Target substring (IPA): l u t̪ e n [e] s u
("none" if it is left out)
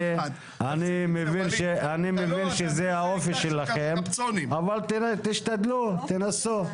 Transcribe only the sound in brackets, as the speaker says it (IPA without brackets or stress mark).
a